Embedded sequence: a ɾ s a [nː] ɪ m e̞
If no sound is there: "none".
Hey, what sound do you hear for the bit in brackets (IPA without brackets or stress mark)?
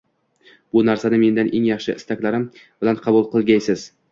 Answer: n